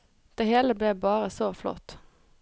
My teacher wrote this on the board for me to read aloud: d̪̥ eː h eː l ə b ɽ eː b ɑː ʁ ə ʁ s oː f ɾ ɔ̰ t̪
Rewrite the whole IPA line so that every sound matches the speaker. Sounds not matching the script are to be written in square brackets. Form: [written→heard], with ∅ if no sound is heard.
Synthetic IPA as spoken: d̪̥ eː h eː l ə b [ɽ→l] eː b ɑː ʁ ə [ʁ→∅] s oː f [ɾ→l] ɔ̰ t̪